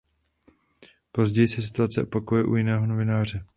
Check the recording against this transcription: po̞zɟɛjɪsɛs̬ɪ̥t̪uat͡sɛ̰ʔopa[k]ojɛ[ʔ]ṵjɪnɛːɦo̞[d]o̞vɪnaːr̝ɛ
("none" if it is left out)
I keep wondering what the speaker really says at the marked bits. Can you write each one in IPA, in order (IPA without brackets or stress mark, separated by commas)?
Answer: k, ʔ, n